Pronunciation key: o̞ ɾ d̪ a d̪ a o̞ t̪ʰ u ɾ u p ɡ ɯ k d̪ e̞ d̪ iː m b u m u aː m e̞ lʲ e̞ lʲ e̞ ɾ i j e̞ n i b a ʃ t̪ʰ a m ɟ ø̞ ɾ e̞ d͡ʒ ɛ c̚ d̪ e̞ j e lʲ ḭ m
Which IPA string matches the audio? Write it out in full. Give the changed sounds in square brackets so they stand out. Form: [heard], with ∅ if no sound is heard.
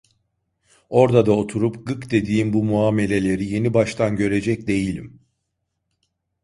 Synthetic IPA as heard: o̞ ɾ d̪ a d̪ a o̞ t̪ʰ u ɾ u p ɡ ɯ k d̪ e̞ d̪ iː m b u m u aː m e̞ lʲ e̞ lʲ e̞ ɾ i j e̞ n i b a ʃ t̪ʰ a [n] ɟ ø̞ ɾ e̞ d͡ʒ ɛ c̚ d̪ e̞ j [i] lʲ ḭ m